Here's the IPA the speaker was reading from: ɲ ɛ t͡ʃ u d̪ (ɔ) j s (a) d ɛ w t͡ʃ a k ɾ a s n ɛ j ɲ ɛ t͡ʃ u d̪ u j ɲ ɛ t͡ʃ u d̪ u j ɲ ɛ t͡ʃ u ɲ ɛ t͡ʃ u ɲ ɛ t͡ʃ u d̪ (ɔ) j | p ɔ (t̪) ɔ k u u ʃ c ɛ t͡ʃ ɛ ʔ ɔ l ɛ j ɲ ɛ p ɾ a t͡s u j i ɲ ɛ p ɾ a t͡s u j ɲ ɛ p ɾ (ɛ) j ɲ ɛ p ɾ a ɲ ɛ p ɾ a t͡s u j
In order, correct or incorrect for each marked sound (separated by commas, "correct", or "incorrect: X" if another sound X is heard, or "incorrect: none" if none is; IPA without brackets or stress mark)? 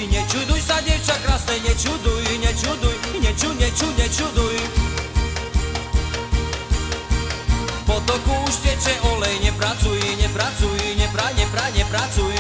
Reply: incorrect: u, correct, incorrect: u, correct, incorrect: a